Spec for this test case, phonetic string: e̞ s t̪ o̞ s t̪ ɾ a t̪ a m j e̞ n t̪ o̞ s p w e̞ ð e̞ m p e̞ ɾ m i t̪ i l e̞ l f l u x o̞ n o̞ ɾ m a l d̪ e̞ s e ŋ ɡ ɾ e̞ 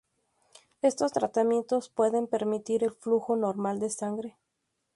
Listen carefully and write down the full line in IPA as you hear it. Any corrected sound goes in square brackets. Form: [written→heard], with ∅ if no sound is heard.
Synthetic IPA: e̞ s t̪ o̞ s t̪ ɾ a t̪ a m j e̞ n t̪ o̞ s p w e̞ ð e̞ m p e̞ ɾ m i t̪ i [l→ɾ] e̞ l f l u x o̞ n o̞ ɾ m a l d̪ e̞ s [e→a] ŋ ɡ ɾ e̞

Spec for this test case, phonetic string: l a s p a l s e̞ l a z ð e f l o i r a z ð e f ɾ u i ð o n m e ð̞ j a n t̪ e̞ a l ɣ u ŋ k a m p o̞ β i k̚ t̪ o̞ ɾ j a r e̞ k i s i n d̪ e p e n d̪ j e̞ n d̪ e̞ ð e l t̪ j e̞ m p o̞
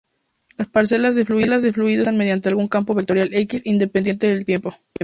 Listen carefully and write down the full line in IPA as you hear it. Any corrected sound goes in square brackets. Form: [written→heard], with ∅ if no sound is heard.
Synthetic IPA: l a s p a [l→ɾ] s e̞ l a z ð e f l [o→u] i [r→l] a z ð e f [ɾ→l] u i ð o n m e ð̞ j a n t̪ e̞ a l ɣ u ŋ k a m p o̞ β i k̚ t̪ o̞ ɾ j a [r→l] e̞ k i s i n d̪ e p e n d̪ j e̞ n [d̪→t̪] e̞ ð e l t̪ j e̞ m p o̞

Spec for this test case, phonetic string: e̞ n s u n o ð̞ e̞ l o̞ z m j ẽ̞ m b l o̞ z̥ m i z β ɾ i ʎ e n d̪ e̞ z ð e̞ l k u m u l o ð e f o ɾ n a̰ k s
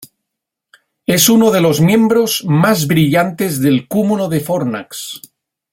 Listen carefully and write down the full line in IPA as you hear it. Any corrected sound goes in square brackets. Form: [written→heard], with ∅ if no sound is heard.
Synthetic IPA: e̞ [n→∅] s u n o ð̞ e̞ l o̞ z m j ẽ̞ m b [l→ɾ] o̞ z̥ m [i→a] z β ɾ i ʎ [e→a] n [d̪→t̪] e̞ z ð e̞ l k u m u l o ð e f o ɾ n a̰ k s

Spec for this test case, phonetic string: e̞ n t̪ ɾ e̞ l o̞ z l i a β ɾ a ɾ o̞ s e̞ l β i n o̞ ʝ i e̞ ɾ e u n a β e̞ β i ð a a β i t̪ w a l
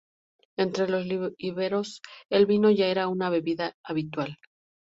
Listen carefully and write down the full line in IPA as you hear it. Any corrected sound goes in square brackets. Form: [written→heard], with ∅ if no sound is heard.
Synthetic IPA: e̞ n t̪ ɾ e̞ l o̞ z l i [a→i] β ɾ [a→e] ɾ o̞ s e̞ l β i n o̞ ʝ [i→a] e̞ ɾ [e→a] u n a β e̞ β i ð a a β i t̪ w a l

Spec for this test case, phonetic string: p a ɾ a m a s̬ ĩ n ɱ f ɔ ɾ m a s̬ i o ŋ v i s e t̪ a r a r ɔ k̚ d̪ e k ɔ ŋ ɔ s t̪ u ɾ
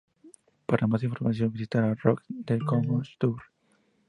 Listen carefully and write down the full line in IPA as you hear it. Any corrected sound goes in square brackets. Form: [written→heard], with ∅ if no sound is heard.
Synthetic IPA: p a ɾ a m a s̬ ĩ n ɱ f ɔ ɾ m a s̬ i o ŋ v i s [e→i] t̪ a [r→ɾ] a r ɔ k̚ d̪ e k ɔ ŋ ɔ s t̪ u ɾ

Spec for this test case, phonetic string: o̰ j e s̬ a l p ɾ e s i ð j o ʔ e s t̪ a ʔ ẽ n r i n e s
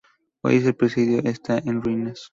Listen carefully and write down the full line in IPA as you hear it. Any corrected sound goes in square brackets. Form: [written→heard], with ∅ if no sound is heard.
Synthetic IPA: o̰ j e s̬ [a→e] l p ɾ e s i ð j o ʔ e s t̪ a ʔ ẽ n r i n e s

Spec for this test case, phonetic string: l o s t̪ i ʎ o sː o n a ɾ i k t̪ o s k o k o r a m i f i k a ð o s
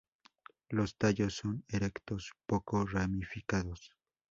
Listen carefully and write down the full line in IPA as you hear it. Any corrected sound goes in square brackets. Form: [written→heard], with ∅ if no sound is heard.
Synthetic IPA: l o s t̪ [i→a] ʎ o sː o n [a→e] ɾ [i→e] k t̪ o s [k→p] o k o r a m i f i k a ð o s

